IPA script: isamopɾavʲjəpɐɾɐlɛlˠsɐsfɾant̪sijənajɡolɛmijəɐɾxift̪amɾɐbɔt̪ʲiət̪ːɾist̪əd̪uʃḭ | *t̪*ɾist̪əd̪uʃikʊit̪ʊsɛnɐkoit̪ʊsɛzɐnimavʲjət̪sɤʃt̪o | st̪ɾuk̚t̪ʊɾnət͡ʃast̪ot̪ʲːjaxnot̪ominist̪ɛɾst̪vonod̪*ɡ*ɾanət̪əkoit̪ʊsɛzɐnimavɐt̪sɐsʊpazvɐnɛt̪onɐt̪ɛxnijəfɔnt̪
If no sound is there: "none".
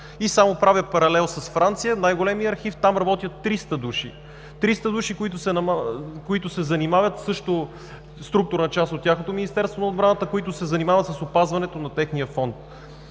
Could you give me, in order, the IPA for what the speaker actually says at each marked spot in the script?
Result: t̪, b

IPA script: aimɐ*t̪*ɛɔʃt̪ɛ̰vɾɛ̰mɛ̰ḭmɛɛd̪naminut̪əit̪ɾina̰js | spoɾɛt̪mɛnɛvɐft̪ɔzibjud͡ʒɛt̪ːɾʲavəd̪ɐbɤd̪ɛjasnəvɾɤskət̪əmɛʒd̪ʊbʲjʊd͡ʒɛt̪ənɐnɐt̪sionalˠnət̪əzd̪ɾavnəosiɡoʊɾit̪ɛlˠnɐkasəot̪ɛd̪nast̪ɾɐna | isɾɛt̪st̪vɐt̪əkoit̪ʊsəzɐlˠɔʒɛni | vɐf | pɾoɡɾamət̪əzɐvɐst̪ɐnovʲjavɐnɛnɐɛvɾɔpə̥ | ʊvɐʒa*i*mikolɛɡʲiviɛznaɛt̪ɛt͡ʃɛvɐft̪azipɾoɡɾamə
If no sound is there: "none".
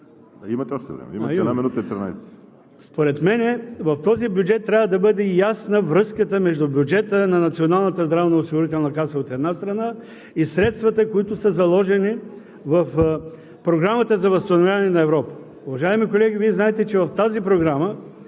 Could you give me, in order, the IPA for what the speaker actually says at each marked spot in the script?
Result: t̪, ɛ

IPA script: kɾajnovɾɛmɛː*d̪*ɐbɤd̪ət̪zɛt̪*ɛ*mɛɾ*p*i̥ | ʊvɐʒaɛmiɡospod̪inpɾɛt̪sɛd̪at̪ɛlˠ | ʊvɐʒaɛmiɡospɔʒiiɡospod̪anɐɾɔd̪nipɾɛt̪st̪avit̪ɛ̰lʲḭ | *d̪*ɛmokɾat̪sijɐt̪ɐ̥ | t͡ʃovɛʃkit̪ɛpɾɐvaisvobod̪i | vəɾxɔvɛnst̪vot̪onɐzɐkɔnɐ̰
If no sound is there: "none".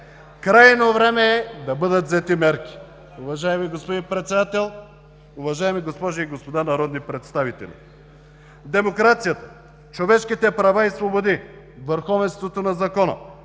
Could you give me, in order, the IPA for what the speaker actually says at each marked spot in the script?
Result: d̪, i, k, d̪

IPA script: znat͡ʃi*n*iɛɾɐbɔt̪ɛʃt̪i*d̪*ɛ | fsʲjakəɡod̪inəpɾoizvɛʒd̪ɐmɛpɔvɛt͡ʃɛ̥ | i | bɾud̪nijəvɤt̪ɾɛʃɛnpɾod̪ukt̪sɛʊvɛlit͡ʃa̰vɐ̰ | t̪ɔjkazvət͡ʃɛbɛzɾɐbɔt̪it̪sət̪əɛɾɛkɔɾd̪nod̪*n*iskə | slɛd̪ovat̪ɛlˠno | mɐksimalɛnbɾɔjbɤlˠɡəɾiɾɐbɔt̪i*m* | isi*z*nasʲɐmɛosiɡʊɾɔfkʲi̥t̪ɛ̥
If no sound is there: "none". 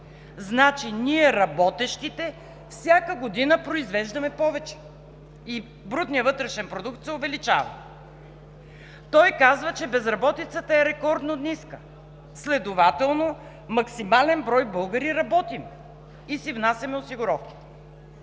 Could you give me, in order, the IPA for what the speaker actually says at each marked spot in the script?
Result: n, t̪, n, m, v

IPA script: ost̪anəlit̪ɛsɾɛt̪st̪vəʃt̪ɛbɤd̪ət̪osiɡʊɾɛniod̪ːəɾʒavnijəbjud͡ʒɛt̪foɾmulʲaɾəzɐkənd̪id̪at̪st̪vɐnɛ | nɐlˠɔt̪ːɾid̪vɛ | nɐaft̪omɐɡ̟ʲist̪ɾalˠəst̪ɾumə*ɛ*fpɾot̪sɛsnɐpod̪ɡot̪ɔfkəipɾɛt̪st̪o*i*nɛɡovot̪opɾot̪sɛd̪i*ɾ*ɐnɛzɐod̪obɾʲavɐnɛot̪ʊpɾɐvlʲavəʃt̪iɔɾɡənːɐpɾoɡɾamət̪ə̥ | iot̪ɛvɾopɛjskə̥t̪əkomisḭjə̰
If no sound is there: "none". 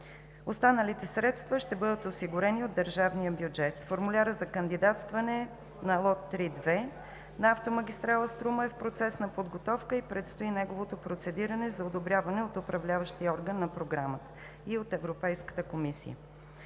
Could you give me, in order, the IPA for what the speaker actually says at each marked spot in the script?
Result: ɛ, i, ɾ

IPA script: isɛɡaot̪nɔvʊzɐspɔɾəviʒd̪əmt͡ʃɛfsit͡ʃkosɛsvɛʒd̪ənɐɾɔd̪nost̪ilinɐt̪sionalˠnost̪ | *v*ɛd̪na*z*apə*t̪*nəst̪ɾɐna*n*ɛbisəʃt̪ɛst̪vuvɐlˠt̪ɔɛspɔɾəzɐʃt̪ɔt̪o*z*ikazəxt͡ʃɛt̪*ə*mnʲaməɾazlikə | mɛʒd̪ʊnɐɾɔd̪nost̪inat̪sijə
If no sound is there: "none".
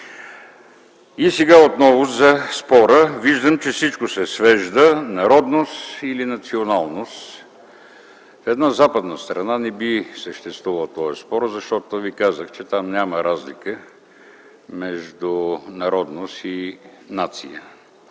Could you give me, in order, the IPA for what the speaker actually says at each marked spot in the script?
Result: f, z, d̪, n, v, a

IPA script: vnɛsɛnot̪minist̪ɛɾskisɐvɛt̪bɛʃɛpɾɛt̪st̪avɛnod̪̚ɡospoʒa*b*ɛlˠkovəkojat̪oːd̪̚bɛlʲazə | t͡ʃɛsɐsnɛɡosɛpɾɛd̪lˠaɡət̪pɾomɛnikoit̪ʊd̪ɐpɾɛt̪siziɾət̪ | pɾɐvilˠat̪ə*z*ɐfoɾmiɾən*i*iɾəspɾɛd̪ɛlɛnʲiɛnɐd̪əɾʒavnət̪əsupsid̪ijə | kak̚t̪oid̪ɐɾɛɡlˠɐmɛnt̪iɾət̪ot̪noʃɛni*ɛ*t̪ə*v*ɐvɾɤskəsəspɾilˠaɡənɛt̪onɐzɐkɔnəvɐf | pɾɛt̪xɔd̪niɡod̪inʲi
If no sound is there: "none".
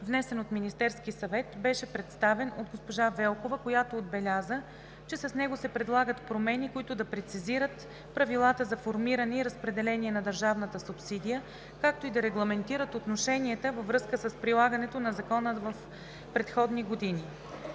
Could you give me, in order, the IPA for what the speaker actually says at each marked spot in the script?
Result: v, z, ɛ, ɛ, v

